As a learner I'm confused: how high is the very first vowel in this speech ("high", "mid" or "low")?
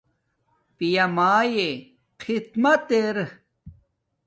high